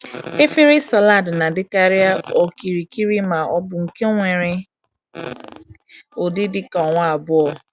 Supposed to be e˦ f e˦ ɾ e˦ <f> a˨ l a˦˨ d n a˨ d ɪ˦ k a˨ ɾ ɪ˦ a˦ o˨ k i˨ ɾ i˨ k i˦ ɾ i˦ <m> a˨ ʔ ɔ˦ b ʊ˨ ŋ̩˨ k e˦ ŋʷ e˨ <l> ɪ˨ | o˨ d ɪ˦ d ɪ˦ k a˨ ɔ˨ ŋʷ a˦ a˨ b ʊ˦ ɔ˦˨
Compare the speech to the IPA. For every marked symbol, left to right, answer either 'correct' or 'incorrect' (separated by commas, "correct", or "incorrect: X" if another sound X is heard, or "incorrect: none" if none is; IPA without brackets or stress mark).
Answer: incorrect: s, correct, incorrect: ɾ